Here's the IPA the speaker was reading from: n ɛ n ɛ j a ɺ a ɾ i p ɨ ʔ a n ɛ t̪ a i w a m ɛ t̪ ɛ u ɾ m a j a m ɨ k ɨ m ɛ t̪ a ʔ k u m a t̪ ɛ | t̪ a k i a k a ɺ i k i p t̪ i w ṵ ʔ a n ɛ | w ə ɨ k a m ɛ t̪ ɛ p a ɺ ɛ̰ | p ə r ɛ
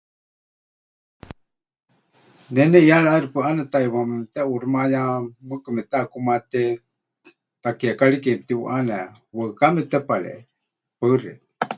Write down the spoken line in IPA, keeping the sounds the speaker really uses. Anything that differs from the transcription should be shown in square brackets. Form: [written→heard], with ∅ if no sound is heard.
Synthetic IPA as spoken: n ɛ n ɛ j a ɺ a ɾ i p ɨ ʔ a n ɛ t̪ a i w a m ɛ t̪ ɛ u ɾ m a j a m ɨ k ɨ m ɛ t̪ a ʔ k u m a t̪ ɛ | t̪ a k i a k a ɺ i k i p t̪ i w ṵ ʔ a n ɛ | w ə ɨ k a m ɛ t̪ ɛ p a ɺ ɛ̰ | p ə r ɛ